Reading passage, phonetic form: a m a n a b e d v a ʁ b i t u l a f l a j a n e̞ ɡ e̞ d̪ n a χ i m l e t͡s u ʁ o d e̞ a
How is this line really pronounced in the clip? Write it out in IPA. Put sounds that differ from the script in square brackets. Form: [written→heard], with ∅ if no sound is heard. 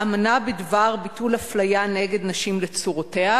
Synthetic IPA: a m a n a b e d v a ʁ b i t u l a f l a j a n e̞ ɡ e̞ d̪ n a [χ→ʃ] i m l e t͡s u ʁ o [d→t] e̞ a